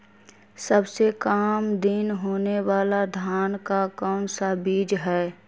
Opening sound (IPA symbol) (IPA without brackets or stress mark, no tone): s